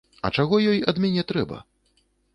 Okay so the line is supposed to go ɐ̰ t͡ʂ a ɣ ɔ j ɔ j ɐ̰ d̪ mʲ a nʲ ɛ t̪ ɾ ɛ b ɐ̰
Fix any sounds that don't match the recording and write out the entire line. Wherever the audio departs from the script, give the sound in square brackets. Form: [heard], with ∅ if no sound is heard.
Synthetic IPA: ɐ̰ t͡ʂ a ɣ ɔ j ɔ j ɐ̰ d̪ mʲ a nʲ ɛ t̪ ɾ ɛ b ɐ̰